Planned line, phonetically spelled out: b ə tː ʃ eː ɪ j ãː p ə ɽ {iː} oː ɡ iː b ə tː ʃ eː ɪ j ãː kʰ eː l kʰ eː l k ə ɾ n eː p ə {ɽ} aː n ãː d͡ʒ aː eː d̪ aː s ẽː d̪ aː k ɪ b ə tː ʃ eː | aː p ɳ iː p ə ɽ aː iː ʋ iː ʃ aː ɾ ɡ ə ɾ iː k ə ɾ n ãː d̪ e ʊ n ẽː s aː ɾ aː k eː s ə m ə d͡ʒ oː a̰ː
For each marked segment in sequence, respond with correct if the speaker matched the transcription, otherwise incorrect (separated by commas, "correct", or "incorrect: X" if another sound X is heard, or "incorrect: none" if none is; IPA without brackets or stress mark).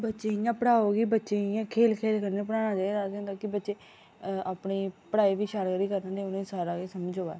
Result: incorrect: aː, correct